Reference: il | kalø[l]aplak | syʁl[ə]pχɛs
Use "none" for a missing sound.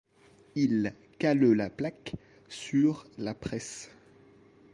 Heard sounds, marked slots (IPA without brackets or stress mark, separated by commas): l, a